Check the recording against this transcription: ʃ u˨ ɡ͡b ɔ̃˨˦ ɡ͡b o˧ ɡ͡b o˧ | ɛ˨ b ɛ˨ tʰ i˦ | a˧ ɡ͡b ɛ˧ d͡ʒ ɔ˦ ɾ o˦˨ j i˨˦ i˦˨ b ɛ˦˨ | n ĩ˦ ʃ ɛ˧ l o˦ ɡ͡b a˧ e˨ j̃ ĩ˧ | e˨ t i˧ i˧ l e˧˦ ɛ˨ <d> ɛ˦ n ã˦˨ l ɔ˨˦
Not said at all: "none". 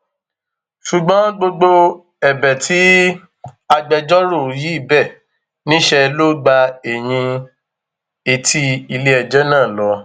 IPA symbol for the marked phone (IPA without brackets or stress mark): d͡ʒ